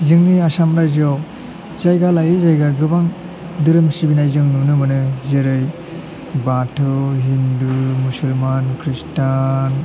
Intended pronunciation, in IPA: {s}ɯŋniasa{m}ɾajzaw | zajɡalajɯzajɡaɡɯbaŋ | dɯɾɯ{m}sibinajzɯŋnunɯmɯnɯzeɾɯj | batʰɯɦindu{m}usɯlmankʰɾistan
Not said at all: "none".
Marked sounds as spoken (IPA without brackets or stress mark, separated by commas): z, m, m, m